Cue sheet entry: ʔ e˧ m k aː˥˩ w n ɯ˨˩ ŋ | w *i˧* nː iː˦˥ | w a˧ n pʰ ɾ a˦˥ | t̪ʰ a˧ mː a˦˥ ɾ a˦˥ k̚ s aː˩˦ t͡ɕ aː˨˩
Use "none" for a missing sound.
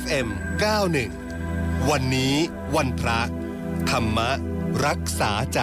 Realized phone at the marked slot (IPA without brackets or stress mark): a˧